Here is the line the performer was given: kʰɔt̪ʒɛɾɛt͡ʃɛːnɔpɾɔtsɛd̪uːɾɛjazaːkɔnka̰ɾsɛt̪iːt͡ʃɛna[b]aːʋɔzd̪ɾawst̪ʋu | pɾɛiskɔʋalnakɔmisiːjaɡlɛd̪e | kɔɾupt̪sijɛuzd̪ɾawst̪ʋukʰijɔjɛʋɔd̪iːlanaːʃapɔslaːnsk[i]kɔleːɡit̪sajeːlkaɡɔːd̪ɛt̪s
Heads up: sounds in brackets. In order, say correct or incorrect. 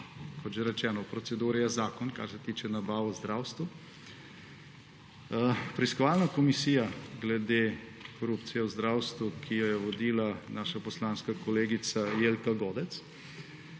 correct, incorrect: a

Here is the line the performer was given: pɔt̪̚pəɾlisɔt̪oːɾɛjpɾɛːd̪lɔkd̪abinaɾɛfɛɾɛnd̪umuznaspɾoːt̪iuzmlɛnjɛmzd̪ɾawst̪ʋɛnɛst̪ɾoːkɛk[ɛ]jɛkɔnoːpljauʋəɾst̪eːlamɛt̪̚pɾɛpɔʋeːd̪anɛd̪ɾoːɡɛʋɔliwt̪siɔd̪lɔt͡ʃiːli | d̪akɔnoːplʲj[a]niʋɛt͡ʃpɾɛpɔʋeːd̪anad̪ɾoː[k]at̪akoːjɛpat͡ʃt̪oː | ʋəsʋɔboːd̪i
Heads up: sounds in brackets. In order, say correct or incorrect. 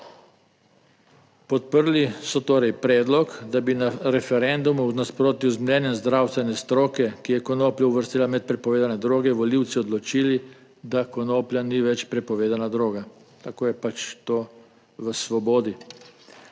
incorrect: i, correct, incorrect: ɡ

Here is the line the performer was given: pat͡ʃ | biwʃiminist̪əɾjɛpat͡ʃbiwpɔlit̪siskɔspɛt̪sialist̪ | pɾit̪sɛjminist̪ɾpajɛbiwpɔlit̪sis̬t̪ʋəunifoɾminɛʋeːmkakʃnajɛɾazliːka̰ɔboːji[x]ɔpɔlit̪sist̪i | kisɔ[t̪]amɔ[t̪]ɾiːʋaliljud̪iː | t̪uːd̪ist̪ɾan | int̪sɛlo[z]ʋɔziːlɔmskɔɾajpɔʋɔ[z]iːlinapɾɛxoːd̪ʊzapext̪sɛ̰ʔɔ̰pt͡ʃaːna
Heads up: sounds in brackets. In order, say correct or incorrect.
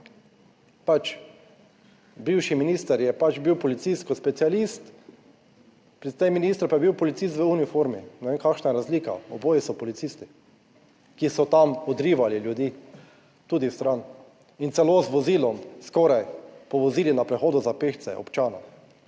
incorrect: s, correct, incorrect: d̪, correct, correct

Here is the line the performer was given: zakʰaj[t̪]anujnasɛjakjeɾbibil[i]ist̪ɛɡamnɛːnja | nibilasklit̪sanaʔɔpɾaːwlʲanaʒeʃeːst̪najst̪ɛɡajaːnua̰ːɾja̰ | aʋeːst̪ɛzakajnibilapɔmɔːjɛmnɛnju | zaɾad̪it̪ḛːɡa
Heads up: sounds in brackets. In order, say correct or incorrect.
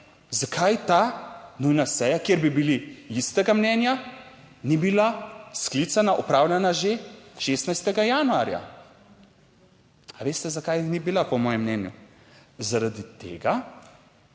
correct, correct

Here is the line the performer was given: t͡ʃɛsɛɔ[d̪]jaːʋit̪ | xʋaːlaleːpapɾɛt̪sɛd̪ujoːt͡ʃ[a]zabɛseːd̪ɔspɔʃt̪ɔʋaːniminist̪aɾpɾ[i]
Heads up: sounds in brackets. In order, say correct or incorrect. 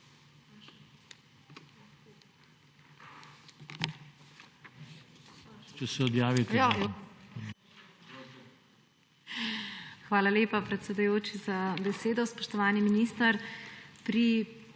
correct, incorrect: i, correct

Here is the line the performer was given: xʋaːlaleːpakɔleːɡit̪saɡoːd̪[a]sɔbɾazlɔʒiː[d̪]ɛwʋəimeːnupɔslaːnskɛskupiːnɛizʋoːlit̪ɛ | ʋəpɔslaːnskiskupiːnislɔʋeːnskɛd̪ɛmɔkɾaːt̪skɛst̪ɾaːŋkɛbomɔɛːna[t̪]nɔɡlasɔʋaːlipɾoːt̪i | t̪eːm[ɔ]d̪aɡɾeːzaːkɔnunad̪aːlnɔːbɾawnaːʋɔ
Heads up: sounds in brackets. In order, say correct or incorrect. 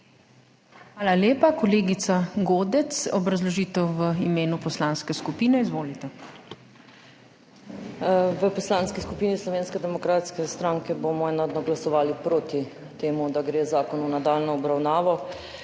incorrect: ɛ, incorrect: t̪, incorrect: d̪, incorrect: u

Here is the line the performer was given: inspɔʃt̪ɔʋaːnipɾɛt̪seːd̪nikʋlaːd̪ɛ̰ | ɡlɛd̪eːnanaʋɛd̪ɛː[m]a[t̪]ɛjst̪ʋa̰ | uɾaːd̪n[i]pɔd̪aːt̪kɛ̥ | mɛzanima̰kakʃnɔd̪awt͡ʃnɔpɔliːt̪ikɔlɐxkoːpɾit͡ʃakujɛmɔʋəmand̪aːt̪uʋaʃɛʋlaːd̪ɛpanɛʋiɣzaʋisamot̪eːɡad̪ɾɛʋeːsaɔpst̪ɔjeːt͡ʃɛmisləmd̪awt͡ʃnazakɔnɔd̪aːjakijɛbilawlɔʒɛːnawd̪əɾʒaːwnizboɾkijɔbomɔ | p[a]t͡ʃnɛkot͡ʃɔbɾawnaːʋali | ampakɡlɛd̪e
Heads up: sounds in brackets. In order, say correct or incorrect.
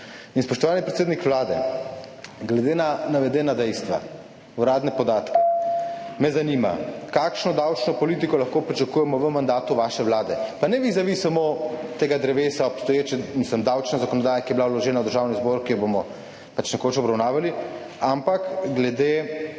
incorrect: n, incorrect: d̪, incorrect: ɛ, correct

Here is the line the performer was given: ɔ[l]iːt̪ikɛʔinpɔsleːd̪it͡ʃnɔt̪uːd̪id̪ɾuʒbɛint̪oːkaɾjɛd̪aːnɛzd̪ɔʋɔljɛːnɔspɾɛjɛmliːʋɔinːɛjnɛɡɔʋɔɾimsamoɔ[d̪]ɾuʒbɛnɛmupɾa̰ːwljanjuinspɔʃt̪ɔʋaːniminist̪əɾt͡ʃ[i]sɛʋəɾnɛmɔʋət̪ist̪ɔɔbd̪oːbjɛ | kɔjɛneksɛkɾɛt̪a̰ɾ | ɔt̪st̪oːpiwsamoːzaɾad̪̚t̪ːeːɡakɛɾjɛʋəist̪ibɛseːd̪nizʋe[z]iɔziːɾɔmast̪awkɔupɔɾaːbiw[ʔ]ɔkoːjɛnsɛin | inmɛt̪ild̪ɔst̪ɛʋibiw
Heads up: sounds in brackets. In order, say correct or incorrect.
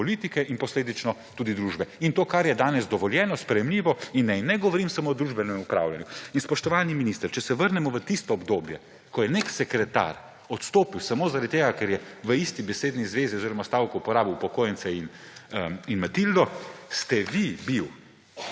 correct, correct, incorrect: ɛ, correct, incorrect: p

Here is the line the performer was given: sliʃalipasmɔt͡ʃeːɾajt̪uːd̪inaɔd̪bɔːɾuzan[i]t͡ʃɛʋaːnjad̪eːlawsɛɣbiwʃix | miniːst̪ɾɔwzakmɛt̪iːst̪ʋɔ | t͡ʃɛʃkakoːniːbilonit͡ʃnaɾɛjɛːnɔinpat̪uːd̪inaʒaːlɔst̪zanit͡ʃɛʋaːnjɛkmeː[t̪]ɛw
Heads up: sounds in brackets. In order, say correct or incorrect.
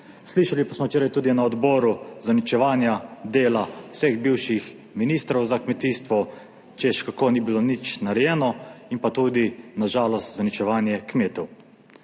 correct, correct

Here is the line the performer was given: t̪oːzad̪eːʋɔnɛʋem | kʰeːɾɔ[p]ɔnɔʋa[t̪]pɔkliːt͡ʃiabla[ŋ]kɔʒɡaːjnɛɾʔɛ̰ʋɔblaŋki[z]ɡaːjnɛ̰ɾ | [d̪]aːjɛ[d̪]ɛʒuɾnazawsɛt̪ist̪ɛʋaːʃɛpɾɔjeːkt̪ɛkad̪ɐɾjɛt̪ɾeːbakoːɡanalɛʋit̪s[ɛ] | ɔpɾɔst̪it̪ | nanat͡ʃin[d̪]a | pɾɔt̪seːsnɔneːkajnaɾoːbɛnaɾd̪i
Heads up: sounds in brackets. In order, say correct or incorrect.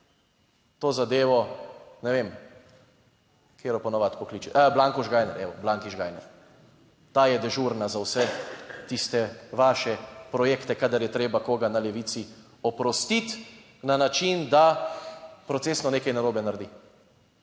correct, correct, correct, incorrect: ʒ, incorrect: t̪, correct, incorrect: i, correct

